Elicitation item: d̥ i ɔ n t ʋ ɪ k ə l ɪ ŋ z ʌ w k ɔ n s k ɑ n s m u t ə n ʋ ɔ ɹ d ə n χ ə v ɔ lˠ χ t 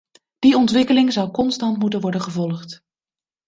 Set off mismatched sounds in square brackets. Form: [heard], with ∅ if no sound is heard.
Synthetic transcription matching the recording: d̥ i ɔ n t ʋ ɪ k ə l ɪ ŋ z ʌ w k ɔ n s [t] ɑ n [t] m u t ə n ʋ ɔ ɹ d ə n χ ə v ɔ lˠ χ t